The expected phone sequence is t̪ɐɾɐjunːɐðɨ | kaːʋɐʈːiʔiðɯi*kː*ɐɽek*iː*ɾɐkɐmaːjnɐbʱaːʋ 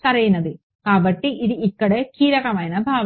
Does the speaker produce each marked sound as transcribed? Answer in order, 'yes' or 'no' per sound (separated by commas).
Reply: yes, yes